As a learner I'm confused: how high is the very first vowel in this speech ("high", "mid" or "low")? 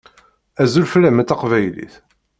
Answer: low